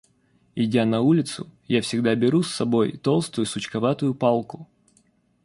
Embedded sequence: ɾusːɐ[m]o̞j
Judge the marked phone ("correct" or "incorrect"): incorrect